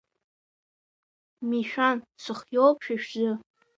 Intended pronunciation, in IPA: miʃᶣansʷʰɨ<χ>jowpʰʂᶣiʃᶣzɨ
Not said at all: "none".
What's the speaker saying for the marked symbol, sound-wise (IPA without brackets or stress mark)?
χ